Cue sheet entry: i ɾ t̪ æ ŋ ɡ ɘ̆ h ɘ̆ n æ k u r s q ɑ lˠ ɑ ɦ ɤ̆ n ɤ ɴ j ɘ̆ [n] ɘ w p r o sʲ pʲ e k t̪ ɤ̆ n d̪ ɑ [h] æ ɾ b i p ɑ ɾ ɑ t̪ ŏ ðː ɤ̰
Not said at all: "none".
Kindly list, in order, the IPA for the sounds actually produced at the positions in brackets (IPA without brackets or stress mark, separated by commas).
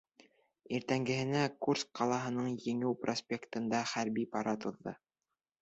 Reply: ŋ, χ